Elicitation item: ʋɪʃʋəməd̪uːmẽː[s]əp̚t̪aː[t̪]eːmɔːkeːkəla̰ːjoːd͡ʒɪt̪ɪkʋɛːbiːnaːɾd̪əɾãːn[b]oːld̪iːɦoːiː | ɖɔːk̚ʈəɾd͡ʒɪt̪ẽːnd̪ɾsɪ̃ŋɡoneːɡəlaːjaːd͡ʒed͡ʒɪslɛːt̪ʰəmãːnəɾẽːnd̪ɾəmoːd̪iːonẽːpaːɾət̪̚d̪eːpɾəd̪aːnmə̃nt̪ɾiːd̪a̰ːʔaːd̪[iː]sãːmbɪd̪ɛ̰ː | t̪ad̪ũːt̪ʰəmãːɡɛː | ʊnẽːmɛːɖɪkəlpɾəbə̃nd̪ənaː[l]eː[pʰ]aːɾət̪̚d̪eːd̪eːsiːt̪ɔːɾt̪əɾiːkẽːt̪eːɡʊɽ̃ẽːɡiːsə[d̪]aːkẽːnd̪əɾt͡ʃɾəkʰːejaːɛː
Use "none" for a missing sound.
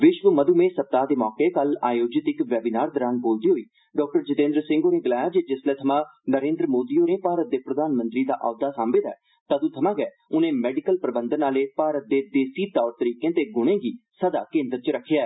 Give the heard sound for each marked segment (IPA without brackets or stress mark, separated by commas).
s, d̪, b, aː, l, p, d̪